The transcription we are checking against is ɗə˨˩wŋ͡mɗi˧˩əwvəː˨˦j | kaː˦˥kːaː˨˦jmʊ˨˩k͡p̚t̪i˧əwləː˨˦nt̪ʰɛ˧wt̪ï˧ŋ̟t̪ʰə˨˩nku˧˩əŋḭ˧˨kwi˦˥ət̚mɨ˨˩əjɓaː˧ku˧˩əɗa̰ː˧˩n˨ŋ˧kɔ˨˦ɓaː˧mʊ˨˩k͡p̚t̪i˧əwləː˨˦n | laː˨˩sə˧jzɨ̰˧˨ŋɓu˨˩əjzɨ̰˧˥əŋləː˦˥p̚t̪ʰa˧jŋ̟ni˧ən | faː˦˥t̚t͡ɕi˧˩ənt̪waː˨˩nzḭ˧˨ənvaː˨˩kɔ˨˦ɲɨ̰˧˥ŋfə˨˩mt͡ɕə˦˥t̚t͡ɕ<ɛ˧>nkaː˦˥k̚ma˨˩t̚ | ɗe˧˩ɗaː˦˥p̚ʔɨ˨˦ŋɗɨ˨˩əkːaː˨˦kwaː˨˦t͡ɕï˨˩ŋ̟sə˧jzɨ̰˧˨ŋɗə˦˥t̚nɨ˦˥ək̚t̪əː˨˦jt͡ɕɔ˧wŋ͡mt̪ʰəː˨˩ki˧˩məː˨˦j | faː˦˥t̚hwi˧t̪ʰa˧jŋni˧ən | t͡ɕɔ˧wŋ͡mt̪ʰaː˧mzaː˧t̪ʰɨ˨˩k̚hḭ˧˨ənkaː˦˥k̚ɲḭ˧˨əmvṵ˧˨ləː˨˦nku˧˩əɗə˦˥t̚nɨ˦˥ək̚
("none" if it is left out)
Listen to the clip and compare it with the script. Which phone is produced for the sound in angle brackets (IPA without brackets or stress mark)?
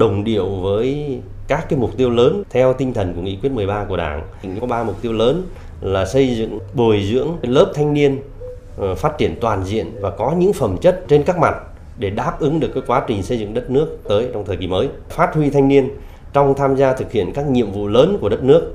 e˧